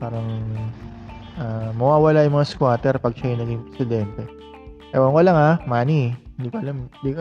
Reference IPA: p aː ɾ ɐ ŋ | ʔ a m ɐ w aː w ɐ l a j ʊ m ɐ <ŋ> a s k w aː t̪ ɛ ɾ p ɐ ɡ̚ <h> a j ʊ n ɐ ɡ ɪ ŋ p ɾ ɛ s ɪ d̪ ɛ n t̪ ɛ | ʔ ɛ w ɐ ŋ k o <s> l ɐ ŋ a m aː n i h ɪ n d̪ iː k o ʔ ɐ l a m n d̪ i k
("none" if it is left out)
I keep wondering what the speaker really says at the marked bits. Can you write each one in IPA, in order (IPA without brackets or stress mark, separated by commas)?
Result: ŋ, ʃ, none